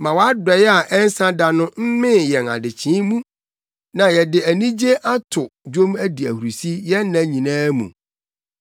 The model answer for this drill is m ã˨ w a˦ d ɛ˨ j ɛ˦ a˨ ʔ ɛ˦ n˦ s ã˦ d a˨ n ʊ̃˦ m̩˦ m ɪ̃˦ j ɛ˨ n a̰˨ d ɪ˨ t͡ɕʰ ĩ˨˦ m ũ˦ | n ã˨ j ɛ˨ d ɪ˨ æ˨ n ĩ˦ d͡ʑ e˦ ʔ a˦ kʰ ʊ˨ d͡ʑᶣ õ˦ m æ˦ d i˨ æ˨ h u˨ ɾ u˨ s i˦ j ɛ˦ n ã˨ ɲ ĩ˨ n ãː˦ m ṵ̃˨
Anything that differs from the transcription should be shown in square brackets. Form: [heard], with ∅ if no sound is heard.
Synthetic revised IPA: m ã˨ w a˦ d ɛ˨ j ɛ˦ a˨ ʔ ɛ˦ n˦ s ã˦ d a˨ n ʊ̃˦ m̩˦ m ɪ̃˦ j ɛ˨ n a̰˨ d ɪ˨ t͡ɕʰ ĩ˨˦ m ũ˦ | n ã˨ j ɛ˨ d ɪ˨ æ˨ n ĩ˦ d͡ʑ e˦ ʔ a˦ [tʰ] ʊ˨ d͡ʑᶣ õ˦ m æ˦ d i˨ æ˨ h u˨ ɾ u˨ s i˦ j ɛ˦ n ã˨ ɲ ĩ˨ n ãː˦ m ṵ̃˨